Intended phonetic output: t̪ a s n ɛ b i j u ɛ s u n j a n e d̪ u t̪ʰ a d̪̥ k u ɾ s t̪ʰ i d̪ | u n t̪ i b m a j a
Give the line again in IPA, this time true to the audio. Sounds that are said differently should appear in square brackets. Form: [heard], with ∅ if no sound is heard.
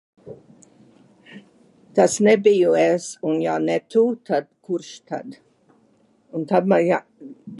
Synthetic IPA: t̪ a s n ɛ b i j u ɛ s u n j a n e [t̪] u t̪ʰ a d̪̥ k u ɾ [ʃ] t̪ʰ [a] d̪ | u n t̪ [a] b m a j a